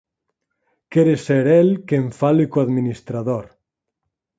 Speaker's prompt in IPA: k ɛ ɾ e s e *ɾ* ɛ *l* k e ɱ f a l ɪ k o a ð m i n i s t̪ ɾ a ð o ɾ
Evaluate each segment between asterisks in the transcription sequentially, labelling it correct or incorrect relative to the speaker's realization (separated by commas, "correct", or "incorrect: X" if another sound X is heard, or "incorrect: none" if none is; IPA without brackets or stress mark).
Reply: correct, correct